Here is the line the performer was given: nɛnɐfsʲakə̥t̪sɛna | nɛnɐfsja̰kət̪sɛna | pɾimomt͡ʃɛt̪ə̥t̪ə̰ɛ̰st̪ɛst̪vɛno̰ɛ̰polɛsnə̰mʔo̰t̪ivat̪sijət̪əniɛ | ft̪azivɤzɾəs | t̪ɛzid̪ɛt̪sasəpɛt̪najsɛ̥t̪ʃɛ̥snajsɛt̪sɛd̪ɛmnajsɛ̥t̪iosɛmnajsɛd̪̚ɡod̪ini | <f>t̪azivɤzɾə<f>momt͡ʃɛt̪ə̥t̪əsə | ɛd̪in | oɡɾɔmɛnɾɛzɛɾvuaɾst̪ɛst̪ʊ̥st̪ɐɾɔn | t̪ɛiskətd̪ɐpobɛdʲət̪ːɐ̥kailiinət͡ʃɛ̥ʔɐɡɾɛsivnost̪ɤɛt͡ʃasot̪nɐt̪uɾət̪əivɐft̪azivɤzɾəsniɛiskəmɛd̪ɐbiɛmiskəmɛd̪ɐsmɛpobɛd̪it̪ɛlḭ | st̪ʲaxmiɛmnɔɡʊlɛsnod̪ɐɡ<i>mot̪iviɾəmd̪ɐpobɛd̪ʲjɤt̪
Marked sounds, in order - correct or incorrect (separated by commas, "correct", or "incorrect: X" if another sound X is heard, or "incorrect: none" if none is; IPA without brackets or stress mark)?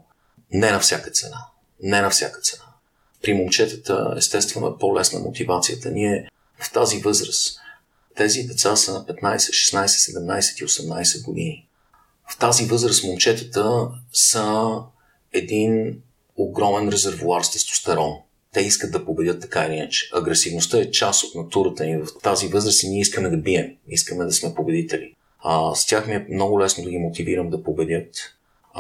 correct, incorrect: s, correct